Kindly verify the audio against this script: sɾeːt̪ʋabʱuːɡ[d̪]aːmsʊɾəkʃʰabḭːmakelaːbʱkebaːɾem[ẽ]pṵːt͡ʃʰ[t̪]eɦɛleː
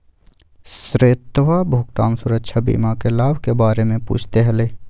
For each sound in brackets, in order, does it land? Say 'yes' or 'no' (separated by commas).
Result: no, yes, yes